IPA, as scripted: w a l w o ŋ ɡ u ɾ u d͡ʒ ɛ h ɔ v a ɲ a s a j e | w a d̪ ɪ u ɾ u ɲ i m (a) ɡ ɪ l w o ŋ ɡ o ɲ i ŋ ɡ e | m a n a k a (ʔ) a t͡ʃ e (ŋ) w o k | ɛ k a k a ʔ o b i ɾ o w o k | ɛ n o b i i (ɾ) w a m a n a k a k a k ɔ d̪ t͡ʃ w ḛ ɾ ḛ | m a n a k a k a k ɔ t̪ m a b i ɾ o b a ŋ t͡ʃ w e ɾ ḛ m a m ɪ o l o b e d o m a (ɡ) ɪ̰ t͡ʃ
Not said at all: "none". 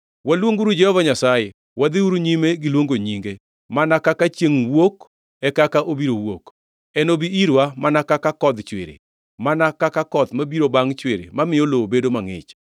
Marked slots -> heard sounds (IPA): e, k, ŋ, ɾ, ŋ

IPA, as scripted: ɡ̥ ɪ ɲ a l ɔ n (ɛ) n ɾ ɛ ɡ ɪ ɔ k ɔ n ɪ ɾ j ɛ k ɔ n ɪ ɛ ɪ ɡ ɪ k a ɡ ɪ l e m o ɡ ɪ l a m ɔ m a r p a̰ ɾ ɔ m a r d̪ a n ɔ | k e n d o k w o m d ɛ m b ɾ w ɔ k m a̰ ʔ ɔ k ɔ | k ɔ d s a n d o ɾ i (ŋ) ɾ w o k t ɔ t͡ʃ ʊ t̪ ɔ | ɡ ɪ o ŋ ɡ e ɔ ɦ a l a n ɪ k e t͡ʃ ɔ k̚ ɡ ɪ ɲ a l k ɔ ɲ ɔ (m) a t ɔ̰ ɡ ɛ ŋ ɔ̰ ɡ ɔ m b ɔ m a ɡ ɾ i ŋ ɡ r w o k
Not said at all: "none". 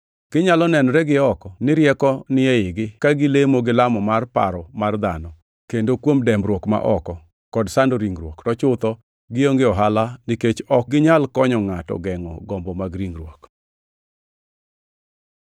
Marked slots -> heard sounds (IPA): ɛ, ŋ, ŋ

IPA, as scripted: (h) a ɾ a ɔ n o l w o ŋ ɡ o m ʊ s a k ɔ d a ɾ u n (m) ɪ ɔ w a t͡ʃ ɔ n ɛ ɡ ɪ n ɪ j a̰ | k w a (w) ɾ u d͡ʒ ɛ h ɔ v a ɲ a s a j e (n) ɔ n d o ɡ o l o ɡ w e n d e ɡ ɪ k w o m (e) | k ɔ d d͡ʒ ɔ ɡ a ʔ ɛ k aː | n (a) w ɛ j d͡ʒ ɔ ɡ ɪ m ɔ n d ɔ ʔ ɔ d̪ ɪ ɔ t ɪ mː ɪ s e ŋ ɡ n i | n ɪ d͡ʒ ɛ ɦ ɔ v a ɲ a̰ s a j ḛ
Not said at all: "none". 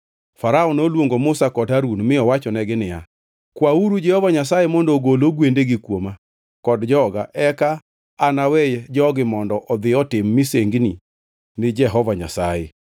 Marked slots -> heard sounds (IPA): f, m, u, m, a, a

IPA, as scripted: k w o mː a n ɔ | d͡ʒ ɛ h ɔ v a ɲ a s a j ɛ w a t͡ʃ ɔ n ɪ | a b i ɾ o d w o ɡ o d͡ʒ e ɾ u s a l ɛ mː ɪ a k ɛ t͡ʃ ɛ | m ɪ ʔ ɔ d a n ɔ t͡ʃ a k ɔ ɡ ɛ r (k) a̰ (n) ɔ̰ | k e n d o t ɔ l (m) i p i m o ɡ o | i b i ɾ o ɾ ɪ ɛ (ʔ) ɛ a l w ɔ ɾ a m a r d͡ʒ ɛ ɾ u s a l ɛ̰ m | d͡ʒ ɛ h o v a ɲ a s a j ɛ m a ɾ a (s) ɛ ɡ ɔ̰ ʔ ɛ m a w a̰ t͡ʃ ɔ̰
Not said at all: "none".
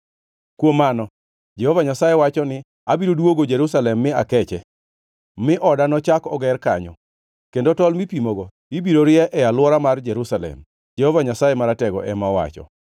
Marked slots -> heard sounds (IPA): k, ɲ, m, ʔ, t

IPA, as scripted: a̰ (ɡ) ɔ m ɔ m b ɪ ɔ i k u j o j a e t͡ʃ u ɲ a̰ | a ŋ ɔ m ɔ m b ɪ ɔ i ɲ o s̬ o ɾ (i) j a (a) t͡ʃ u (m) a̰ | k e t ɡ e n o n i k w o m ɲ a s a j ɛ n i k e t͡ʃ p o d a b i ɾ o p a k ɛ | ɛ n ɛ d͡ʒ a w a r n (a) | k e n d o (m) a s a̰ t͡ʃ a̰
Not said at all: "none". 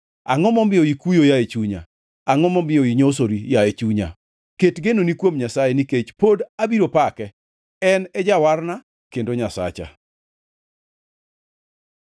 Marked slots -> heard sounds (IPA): ŋ, i, e, ɲ, a, ɲ

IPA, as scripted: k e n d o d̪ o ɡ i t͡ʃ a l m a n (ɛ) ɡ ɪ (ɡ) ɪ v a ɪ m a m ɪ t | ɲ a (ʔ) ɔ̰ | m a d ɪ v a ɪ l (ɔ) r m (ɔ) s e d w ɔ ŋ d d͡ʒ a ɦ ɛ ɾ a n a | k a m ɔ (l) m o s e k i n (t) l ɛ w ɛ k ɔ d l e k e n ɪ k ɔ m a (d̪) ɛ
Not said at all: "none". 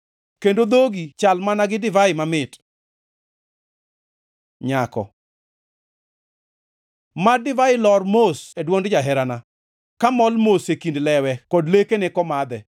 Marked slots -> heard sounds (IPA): a, d, k, ɔ, o, l, d, d̪

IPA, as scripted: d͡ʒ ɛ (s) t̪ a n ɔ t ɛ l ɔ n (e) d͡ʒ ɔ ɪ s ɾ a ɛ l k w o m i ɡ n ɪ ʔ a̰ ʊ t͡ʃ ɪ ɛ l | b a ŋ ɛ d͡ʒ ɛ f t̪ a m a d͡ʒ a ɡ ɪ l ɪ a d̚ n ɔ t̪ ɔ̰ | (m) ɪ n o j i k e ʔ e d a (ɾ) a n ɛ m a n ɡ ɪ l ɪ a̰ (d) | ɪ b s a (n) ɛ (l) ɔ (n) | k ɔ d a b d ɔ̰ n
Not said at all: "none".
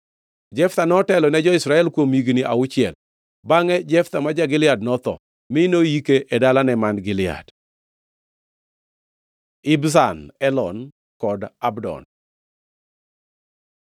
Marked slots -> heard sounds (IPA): f, ɛ, m, l, d, n, l, n

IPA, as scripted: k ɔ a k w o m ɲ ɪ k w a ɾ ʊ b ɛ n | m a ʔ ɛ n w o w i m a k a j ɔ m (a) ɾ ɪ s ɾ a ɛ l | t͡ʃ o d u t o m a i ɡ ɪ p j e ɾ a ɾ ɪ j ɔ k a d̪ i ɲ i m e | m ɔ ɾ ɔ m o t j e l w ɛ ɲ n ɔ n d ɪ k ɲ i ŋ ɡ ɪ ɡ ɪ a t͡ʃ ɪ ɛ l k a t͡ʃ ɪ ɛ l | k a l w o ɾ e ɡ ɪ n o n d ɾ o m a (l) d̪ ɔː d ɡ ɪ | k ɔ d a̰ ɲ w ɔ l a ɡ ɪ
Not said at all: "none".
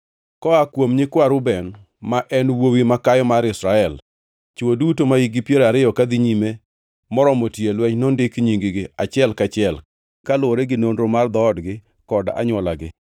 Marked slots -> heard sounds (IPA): a, r

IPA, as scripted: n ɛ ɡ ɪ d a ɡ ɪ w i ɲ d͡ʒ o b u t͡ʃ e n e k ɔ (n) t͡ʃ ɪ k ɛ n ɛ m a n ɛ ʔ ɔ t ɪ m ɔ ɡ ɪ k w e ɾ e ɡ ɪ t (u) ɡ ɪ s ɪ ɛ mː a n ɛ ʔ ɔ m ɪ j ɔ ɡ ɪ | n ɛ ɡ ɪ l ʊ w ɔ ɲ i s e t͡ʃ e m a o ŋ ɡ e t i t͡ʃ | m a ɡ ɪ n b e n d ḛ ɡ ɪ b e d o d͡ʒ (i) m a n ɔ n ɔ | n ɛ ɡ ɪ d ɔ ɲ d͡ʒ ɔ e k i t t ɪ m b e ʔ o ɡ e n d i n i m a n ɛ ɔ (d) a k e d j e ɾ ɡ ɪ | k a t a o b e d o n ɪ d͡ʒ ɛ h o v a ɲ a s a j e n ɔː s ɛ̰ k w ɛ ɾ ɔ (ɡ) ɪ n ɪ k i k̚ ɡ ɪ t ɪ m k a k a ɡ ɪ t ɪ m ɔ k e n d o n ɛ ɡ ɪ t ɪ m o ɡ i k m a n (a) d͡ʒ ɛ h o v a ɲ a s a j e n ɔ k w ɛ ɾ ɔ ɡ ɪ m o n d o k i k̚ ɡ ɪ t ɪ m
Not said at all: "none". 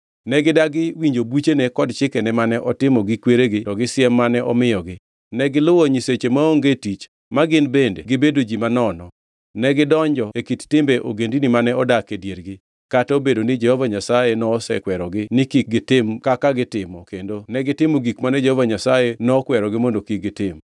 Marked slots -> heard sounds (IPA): d, ɔ, i, d, ɡ, ɛ

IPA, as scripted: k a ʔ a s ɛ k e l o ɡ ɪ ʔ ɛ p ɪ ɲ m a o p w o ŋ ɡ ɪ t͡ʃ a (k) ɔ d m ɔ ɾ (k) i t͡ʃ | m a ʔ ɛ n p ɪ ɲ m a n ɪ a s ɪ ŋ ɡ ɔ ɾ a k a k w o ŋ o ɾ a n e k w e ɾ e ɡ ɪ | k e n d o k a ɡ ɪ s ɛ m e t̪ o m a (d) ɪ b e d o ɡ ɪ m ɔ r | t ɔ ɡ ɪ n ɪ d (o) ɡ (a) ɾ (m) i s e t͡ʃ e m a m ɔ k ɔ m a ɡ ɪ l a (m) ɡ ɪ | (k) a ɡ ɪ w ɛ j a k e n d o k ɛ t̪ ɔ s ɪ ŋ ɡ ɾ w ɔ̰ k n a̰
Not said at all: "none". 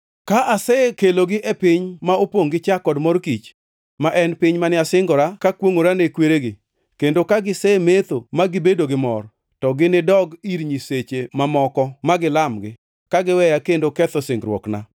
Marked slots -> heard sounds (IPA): k, k, ɡ, ɔ, i, ɲ, m, k

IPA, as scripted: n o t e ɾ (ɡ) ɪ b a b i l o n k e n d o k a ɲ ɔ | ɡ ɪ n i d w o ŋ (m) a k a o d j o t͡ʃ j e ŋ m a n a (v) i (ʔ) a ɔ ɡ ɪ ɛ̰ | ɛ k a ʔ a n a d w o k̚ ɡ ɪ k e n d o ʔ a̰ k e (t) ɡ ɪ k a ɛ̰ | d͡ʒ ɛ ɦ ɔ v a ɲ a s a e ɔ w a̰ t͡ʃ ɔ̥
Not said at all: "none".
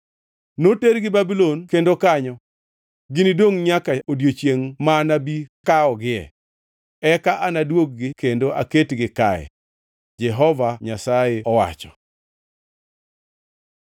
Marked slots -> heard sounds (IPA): ɡ, ɲ, b, k, t

